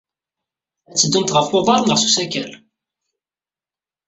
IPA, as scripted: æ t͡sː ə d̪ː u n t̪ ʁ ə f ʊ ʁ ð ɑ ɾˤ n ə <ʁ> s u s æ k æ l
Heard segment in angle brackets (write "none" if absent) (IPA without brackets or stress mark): ʁ